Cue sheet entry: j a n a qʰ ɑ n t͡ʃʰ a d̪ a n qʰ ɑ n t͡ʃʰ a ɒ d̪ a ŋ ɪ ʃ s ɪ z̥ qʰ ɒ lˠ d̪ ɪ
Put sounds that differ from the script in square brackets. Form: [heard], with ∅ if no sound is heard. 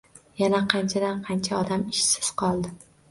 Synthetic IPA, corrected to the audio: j a n a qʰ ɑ n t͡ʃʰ a d̪ a n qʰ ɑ n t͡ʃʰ a ɒ d̪ a [m] ɪ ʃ s ɪ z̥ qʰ ɒ lˠ d̪ ɪ

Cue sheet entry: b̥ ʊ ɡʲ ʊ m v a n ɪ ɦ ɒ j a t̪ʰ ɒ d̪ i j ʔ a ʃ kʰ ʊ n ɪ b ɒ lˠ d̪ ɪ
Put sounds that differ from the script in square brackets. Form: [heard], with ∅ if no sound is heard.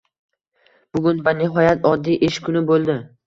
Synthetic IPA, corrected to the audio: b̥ ʊ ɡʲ ʊ [n] v a n ɪ ɦ ɒ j a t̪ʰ ɒ [d̪ː] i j ʔ [e] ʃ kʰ ʊ n ɪ b [o] lˠ d̪ ɪ

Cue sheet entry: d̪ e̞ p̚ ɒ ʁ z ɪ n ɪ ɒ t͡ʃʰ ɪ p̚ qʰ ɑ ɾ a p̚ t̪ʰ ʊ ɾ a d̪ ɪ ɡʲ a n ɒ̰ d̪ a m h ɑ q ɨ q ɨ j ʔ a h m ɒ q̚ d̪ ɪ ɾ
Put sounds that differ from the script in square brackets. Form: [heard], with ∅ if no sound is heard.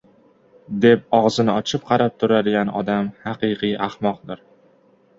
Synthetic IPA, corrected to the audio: d̪ e̞ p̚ ɒ ʁ z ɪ n ɪ ɒ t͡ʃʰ ɪ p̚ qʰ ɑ ɾ a p̚ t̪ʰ ʊ ɾ a d̪ ɪ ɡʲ a n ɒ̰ d̪ a m h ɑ q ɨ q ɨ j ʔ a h m ɒ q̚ d̪ ɪ ɾ

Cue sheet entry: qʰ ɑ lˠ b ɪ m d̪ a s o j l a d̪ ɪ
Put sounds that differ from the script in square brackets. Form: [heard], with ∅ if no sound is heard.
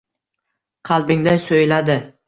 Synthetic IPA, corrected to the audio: qʰ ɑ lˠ b ɪ [ŋ] d̪ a s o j l a d̪ ɪ

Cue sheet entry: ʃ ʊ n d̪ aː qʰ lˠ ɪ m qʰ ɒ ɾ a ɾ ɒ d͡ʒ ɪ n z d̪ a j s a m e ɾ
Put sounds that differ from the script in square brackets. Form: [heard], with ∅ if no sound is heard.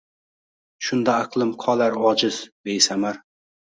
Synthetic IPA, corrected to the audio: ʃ ʊ n d̪ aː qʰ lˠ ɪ m qʰ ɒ [l] a ɾ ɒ d͡ʒ ɪ [∅] z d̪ [e] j s a m [a] ɾ

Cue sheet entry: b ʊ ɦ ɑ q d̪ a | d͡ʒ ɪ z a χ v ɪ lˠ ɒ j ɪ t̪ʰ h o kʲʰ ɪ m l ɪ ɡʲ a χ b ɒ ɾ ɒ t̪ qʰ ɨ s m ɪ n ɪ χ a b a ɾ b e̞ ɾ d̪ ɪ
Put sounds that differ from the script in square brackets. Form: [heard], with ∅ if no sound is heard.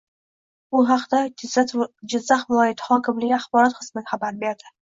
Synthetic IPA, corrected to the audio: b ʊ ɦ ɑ q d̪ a | d͡ʒ ɪ [zː] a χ v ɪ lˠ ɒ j ɪ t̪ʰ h [ɒ] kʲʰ ɪ m l ɪ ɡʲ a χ b ɒ ɾ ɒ t̪ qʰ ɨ s m ɪ n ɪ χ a b a ɾ b e̞ ɾ d̪ ɪ

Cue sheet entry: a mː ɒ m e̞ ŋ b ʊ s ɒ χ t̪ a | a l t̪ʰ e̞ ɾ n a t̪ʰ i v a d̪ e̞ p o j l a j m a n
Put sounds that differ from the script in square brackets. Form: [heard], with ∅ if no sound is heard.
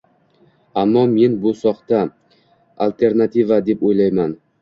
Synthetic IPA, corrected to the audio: a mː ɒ m e̞ [n] b ʊ s ɒ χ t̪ a | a l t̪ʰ e̞ ɾ n a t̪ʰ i v a d̪ e̞ p o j l a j m a n

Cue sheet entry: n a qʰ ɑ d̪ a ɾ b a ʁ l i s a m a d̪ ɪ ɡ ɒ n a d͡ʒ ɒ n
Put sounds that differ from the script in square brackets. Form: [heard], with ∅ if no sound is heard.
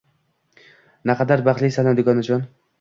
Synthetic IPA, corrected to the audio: n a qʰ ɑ d̪ a ɾ b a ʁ l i s a [n] a d̪ ɪ ɡ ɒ n a d͡ʒ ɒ n

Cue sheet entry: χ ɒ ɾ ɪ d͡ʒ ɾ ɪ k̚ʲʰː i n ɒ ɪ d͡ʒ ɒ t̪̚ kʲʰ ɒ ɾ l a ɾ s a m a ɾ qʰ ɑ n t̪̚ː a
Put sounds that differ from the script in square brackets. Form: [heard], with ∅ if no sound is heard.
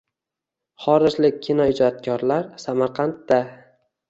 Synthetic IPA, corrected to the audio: χ ɒ ɾ ɪ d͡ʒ [l] ɪ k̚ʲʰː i n ɒ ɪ d͡ʒ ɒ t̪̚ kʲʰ ɒ ɾ l a ɾ s a m a ɾ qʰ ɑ n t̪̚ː a

